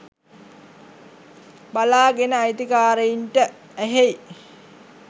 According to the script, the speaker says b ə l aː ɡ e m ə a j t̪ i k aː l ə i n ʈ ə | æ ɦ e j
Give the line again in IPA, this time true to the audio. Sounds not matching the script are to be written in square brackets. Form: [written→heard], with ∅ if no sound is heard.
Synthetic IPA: b [ə→a] l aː ɡ e [m→n] ə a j t̪ i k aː [l→ɾ] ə i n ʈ ə | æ ɦ e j